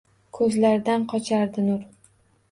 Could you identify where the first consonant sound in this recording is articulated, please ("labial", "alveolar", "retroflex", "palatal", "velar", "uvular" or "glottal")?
velar